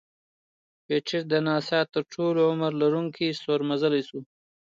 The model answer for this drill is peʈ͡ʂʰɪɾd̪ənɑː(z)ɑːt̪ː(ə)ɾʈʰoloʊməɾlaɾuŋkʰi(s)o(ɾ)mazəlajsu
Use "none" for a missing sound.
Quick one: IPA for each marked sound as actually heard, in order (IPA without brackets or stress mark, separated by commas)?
s, ə, s, ɾ